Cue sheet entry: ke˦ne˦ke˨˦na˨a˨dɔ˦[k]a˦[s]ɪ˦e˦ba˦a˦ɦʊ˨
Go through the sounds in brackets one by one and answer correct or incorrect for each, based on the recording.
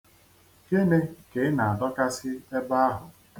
correct, correct

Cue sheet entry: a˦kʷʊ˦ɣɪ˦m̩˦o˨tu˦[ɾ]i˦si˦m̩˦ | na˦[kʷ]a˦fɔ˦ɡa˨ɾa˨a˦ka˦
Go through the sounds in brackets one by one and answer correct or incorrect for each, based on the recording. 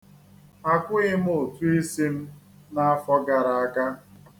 incorrect, incorrect

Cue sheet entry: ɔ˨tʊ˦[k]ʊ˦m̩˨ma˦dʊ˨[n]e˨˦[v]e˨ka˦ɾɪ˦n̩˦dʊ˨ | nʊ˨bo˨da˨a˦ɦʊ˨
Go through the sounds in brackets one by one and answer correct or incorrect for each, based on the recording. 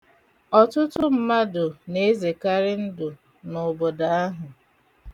incorrect, correct, incorrect

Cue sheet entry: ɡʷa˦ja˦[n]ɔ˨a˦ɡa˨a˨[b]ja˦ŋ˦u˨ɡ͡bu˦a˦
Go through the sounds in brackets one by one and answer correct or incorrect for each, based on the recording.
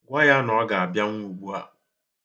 correct, correct

